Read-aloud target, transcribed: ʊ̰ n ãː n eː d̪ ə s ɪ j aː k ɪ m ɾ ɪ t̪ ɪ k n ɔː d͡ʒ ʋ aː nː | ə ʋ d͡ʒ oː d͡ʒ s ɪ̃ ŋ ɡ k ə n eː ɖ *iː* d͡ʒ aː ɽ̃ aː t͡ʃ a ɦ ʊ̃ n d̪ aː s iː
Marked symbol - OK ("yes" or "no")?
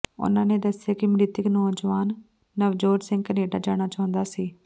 no